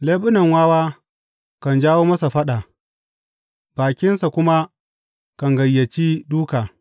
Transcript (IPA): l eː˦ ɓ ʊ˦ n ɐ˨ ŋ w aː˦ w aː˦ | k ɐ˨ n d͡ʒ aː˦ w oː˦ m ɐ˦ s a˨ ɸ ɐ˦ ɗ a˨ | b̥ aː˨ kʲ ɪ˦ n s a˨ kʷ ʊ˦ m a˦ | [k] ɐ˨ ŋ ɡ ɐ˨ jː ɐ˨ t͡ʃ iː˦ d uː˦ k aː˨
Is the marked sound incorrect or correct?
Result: correct